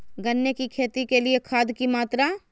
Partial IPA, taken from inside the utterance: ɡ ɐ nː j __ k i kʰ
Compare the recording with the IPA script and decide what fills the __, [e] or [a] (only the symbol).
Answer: e